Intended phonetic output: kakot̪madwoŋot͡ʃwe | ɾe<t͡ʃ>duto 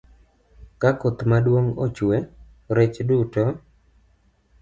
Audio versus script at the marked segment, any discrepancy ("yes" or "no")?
no